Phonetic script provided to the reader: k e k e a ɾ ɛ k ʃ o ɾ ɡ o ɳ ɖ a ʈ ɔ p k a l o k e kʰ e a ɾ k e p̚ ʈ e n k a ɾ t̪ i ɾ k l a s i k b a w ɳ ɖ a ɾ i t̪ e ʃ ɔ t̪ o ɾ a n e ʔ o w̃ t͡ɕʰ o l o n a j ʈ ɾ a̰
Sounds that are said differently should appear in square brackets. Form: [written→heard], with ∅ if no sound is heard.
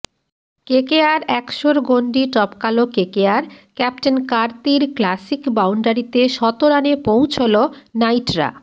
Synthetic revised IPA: k e k e a ɾ ɛ k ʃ o ɾ ɡ o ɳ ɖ [a→i] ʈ ɔ p k a l o k e [kʰ→k] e a ɾ k [e→ɛ] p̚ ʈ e n k a ɾ t̪ i ɾ k l a s i k b a w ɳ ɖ a ɾ i t̪ e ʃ ɔ t̪ o ɾ a n e [ʔ→p] o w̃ t͡ɕʰ o l o n a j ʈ ɾ a̰

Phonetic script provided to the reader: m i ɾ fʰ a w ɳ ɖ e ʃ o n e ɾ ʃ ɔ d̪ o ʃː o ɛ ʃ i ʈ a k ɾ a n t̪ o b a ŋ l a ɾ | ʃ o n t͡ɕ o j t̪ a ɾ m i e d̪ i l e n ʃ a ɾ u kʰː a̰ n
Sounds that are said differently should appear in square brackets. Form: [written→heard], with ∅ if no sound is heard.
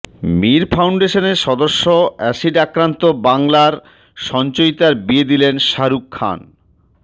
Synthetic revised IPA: m i ɾ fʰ a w ɳ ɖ e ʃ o n e ɾ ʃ ɔ d̪ o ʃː o ɛ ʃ i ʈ a k ɾ a n t̪ o b a ŋ l a ɾ | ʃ [o→ɔ] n t͡ɕ o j t̪ a ɾ [m→b] i e d̪ i l e n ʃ a ɾ u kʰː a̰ n

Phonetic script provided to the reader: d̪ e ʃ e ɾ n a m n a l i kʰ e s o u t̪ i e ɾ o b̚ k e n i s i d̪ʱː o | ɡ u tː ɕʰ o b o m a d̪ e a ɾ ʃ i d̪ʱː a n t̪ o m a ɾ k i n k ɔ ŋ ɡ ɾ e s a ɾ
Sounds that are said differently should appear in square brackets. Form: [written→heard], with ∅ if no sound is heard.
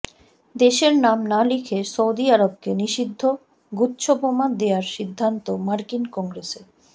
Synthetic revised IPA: d̪ e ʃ e ɾ n a m n a l i kʰ e s o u [t̪→d̪] i [e→a] ɾ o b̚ k e n i [s→ʃ] i d̪ʱː o | ɡ u tː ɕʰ o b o m a d̪ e a ɾ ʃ i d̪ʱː a n t̪ o m a ɾ k i n k ɔ ŋ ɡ ɾ e s [a→e] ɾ

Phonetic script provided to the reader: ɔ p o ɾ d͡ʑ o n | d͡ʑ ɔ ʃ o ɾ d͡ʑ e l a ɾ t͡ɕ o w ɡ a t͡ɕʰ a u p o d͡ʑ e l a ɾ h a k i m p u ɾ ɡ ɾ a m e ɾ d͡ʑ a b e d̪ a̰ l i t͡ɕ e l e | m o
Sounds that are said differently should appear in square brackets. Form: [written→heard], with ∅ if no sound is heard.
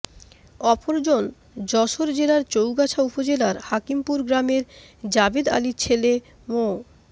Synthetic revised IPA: ɔ p o ɾ d͡ʑ o n | d͡ʑ ɔ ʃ o ɾ d͡ʑ e l a ɾ t͡ɕ o w ɡ a t͡ɕʰ a u p o d͡ʑ e l a ɾ h a k i m p u ɾ ɡ ɾ a m e ɾ d͡ʑ a b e d̪ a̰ l i [t͡ɕ→t͡ɕʰ] e l e | m o

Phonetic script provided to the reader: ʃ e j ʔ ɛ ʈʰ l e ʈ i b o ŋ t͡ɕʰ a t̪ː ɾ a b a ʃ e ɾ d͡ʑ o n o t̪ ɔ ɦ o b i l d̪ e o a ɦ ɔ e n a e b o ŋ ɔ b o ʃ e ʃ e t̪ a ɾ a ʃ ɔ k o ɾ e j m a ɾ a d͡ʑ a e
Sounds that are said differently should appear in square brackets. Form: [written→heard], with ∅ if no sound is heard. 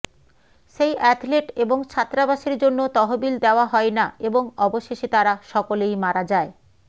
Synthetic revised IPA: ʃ e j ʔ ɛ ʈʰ l e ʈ [i→e] b o ŋ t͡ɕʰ a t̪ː ɾ a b a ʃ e ɾ d͡ʑ o [n→nː] o t̪ ɔ ɦ o b i l d̪ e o a ɦ ɔ e n a e b o ŋ ɔ b o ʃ e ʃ e t̪ a ɾ a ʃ ɔ k o [ɾ→l] e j m a ɾ a d͡ʑ a e

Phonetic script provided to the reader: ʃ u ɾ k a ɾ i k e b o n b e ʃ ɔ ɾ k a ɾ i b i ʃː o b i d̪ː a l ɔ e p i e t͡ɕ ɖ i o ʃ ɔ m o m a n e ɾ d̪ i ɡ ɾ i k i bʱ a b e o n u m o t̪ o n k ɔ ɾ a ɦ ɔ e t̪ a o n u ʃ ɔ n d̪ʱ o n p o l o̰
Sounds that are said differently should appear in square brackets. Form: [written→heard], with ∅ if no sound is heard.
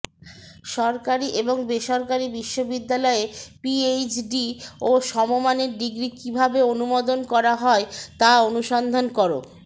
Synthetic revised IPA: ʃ [u→ɔ] ɾ k a ɾ i [k→ʔ] e b o [n→ŋ] b e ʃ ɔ ɾ k a ɾ i b i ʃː o b i d̪ː a l ɔ e p i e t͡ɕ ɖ i o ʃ ɔ m o m a n e ɾ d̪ i ɡ ɾ i k i bʱ a b e o n u m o [t̪→d̪] o n k ɔ ɾ a ɦ ɔ e t̪ a o n u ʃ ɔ n d̪ʱ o n [p→k] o [l→ɾ] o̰

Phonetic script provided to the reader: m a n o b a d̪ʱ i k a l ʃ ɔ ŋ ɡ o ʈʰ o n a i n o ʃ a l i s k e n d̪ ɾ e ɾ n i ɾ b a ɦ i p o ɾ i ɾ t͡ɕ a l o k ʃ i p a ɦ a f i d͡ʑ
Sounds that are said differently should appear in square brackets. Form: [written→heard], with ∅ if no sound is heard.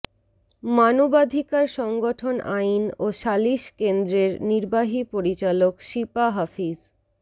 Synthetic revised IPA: m a n o b a d̪ʱ i k a [l→ɾ] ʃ ɔ ŋ ɡ o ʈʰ o n a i n o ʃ a l i [s→ʃ] k e n d̪ ɾ e ɾ n i ɾ b a ɦ i p o ɾ i [ɾ→∅] t͡ɕ a l o k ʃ i p a ɦ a f i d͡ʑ

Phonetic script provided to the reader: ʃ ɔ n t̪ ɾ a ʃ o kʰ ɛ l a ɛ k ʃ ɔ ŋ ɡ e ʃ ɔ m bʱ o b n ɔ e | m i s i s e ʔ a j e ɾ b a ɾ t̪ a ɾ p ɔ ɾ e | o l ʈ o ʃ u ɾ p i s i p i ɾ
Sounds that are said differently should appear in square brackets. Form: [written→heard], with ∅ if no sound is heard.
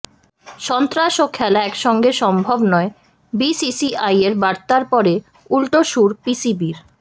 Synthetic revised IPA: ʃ ɔ n t̪ ɾ a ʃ o kʰ ɛ l a ɛ k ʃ ɔ ŋ ɡ e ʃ ɔ m bʱ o b n ɔ e | [m→b] i s i s [e→i] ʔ a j e ɾ b a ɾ t̪ a ɾ p ɔ ɾ e | [o→u] l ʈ o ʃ u ɾ p i s i [p→b] i ɾ

